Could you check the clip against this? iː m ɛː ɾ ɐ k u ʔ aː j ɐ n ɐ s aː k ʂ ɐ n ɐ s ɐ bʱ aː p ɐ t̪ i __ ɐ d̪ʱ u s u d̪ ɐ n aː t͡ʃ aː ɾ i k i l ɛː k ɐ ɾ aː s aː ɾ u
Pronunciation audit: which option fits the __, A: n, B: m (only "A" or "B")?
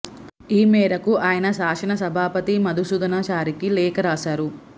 B